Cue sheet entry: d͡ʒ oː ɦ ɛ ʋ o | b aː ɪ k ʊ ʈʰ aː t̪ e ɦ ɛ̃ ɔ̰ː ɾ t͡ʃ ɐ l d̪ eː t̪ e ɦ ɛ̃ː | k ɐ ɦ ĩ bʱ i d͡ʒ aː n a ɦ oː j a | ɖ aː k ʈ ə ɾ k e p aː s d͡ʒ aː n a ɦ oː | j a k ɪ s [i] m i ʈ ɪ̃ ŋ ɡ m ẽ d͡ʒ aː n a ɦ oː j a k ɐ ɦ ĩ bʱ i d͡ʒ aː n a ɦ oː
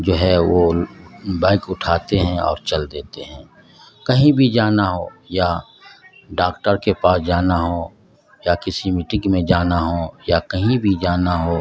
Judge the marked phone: correct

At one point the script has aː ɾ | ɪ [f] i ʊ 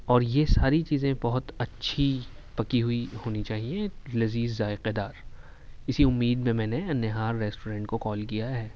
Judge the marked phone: incorrect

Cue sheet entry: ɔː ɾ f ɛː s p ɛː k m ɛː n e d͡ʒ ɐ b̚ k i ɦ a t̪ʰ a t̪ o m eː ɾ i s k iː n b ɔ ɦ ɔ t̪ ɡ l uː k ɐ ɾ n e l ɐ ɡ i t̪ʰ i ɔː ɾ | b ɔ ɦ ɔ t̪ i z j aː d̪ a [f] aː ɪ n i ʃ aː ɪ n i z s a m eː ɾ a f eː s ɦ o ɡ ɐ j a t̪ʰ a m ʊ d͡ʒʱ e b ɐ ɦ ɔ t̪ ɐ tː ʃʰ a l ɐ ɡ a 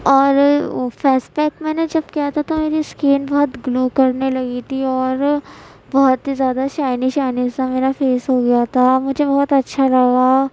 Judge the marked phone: incorrect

